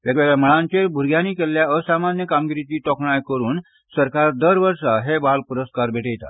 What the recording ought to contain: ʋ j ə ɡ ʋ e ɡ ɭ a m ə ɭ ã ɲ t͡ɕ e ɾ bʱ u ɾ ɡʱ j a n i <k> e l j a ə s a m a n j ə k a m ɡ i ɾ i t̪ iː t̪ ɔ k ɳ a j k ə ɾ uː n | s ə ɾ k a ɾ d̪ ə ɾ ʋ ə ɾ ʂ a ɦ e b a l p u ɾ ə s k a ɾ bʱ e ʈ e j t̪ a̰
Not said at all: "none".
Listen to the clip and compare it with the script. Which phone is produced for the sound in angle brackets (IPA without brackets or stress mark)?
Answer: k